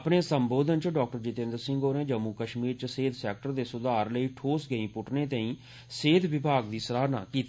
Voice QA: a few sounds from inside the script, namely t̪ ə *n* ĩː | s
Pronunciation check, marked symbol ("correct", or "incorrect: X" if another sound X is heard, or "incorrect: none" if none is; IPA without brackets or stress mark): incorrect: none